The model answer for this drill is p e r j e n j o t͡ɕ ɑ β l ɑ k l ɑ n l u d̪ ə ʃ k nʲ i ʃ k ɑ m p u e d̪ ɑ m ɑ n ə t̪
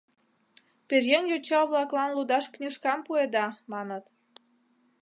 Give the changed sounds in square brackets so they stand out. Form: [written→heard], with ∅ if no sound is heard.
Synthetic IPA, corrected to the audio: p e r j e n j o t͡ɕ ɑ β l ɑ k l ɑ n l u d̪ [ə→ɑ] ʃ k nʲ i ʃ k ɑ m p u e d̪ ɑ m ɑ n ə t̪